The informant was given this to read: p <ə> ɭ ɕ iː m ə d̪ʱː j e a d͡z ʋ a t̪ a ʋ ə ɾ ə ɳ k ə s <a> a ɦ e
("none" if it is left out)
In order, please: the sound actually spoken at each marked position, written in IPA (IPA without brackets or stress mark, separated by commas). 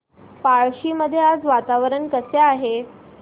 a, e